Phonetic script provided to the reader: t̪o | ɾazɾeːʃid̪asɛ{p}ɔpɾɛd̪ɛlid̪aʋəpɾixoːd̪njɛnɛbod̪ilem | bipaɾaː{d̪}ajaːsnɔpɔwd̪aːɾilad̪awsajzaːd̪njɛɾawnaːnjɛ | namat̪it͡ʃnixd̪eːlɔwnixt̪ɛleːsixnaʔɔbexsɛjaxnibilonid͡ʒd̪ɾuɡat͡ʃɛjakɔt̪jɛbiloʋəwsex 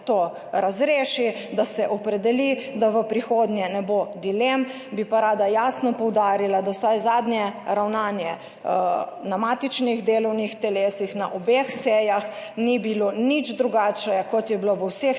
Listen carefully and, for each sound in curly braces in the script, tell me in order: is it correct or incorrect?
incorrect: ʔ, correct

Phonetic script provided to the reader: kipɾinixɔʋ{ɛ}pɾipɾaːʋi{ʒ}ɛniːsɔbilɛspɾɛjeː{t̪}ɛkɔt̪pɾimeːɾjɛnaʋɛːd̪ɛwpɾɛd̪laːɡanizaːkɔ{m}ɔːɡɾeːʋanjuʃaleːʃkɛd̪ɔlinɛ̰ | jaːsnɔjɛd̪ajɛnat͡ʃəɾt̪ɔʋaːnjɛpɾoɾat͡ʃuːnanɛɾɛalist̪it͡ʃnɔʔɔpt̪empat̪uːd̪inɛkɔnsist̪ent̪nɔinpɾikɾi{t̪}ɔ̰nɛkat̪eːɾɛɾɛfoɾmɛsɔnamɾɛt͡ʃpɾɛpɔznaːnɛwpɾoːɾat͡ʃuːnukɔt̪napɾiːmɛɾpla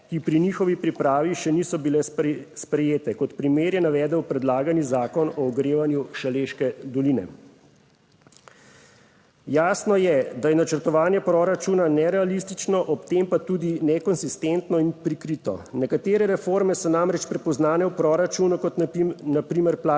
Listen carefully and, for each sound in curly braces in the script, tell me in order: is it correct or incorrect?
incorrect: i, incorrect: ʃ, correct, incorrect: n, correct

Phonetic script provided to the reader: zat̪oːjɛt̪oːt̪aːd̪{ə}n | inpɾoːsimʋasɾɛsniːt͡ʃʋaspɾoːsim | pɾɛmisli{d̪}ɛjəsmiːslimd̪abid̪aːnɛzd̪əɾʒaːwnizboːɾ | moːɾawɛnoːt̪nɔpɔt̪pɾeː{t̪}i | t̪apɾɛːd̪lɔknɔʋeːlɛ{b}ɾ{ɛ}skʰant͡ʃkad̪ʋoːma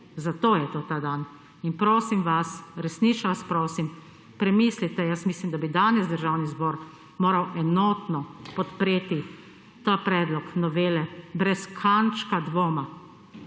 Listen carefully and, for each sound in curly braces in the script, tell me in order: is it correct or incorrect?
incorrect: a, incorrect: t̪, correct, correct, correct

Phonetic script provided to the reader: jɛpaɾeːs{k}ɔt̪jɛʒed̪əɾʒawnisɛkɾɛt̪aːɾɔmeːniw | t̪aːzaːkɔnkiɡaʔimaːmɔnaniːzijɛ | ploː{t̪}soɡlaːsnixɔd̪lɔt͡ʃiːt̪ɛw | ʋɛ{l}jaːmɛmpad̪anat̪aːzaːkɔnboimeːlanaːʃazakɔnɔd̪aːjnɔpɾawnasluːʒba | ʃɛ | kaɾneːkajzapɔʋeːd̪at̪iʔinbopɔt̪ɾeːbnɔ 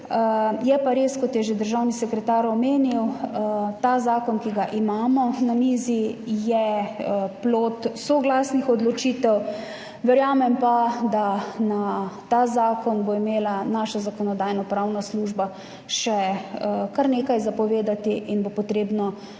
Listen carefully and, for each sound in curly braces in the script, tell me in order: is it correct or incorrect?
correct, correct, incorrect: ɾ

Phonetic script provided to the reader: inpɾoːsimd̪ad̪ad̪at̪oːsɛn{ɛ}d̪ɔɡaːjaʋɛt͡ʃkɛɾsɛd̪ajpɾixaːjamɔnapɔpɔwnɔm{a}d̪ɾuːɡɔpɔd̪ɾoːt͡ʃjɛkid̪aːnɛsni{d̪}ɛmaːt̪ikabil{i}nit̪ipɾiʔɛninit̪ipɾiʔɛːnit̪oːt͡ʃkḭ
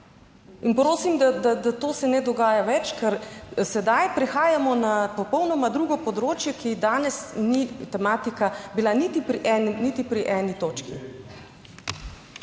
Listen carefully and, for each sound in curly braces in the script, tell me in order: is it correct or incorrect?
correct, correct, incorrect: t̪, incorrect: a

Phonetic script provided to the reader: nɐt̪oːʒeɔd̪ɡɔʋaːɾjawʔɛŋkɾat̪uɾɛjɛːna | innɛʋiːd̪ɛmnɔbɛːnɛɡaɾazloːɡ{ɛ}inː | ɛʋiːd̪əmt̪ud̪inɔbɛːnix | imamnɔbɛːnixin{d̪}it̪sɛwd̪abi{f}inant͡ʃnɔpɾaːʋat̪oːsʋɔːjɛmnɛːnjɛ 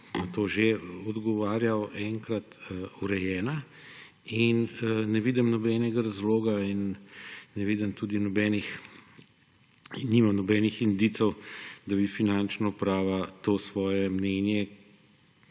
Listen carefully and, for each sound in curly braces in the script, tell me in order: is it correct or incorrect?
incorrect: a, correct, correct

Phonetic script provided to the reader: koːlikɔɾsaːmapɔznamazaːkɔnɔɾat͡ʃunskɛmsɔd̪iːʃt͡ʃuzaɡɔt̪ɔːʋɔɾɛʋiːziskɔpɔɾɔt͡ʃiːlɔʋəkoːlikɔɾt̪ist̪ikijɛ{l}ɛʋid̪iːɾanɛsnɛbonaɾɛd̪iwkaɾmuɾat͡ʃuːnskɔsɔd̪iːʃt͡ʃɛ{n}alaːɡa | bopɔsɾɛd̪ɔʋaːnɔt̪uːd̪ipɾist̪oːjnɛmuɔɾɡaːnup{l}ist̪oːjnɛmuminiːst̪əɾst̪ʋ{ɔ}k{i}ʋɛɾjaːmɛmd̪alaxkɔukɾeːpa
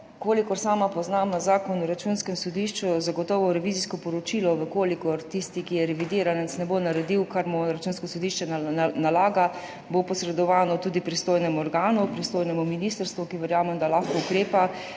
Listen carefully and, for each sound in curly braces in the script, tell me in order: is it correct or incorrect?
incorrect: ɾ, correct, incorrect: ɾ, incorrect: u, correct

